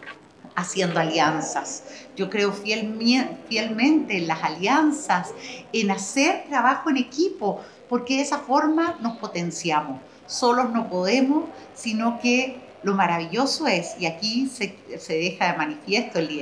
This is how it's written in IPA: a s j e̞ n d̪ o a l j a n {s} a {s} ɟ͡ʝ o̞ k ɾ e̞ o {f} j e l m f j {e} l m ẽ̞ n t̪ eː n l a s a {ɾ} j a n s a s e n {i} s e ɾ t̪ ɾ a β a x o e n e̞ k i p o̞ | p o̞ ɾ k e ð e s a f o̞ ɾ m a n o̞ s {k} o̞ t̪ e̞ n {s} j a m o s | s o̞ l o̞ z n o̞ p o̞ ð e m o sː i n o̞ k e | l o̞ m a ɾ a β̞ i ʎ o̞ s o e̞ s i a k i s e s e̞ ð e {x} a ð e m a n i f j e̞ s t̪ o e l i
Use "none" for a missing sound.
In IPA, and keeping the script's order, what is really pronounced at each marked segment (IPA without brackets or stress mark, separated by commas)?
s, s, f, e, l, a, p, s, x